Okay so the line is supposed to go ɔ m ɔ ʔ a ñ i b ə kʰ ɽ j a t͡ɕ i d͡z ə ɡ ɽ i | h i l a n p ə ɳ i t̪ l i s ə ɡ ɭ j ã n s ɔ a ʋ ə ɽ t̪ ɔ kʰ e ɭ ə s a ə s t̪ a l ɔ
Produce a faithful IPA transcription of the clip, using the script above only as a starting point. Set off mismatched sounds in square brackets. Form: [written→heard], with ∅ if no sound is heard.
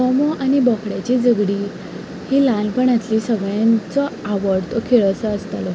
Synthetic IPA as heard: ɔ m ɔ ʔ a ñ i b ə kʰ ɽ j a t͡ɕ i d͡z ə ɡ ɽ i | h i l a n p ə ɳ [i→a] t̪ l i s ə ɡ ɭ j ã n [s→t͡s] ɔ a ʋ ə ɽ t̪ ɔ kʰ e ɭ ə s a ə s t̪ a l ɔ